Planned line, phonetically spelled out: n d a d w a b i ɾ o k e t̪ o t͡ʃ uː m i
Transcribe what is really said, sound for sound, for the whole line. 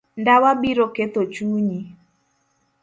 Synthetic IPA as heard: n d a w a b i ɾ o k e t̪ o t͡ʃ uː ɲ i